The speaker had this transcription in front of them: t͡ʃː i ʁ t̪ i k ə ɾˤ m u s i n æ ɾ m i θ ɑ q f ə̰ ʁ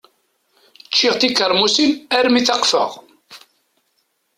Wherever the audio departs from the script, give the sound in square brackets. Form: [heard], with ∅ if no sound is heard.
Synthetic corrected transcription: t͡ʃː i ʁ t̪ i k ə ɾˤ m u s i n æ ɾ m i θ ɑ q f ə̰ ʁ